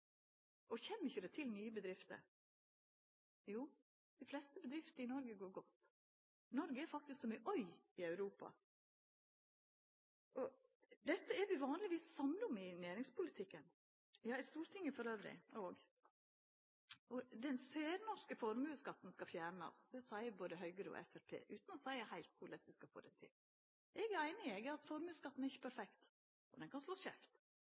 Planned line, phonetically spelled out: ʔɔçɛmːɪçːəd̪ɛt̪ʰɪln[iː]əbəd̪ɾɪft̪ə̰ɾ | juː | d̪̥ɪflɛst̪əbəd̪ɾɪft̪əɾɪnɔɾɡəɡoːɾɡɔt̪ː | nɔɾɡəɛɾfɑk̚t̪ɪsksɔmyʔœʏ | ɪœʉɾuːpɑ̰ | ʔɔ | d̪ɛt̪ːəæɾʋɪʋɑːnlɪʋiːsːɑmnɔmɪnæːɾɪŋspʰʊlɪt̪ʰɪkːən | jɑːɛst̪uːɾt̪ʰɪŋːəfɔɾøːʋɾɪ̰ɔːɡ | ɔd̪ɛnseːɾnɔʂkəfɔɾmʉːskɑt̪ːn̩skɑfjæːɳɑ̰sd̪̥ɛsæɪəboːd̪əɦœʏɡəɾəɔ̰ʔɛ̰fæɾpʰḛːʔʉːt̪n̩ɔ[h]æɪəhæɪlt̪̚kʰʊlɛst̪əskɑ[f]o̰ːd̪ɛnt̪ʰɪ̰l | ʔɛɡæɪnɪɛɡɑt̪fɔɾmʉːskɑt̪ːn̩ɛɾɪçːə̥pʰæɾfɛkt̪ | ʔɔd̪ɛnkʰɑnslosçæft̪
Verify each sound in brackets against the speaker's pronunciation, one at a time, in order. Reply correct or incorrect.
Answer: incorrect: yː, incorrect: s, correct

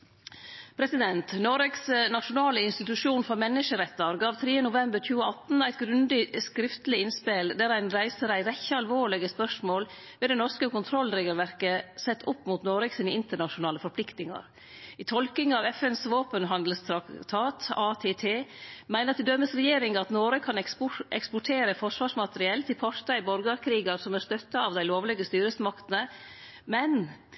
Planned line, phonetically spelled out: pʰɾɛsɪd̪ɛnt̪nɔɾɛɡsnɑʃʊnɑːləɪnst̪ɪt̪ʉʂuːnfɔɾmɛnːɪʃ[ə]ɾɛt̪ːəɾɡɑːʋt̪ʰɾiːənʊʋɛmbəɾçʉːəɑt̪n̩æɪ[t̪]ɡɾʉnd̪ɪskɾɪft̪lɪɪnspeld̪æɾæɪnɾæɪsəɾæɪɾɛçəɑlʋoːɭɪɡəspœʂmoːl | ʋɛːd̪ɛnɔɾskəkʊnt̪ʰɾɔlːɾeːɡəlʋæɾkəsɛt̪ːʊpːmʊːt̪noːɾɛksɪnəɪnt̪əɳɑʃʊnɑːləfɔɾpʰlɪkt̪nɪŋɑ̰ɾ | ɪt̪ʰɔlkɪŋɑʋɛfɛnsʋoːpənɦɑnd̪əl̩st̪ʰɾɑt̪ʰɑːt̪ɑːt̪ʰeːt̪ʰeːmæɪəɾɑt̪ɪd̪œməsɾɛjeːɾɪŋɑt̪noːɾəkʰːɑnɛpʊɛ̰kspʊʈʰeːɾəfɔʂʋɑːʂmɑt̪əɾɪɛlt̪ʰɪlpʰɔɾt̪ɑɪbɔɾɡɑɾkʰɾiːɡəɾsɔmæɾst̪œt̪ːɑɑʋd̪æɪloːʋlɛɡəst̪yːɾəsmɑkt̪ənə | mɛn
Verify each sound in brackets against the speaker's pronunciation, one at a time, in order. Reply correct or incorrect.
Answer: correct, correct

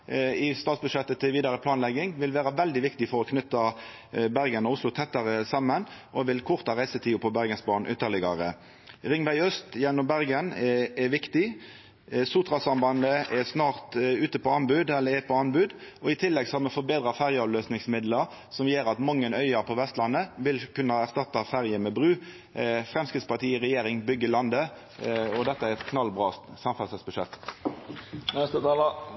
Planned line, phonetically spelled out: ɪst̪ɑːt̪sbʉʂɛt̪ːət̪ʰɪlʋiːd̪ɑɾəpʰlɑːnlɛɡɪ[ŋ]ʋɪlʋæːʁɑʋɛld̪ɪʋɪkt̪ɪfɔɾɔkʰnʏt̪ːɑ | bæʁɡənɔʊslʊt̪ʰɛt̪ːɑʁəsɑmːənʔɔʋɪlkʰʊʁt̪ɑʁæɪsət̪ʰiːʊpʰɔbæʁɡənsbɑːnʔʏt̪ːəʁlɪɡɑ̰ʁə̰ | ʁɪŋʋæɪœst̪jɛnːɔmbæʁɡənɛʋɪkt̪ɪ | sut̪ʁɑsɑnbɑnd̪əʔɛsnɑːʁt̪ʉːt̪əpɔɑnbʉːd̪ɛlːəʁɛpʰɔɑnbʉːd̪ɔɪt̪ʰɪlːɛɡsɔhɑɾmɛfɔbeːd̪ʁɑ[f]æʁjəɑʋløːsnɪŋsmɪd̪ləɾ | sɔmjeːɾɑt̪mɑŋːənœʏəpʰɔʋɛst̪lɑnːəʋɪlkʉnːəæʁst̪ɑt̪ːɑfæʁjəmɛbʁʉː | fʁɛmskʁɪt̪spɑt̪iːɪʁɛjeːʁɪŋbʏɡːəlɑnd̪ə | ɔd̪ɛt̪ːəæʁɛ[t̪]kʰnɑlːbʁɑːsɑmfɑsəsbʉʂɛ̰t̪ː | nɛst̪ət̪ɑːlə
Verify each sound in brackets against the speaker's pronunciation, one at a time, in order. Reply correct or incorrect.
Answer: correct, correct, correct

